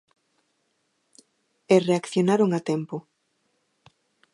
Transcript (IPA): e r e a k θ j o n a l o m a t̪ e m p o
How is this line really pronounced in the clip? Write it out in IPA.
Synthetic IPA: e r e a k θ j o n a ɾ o ŋ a t̪ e m p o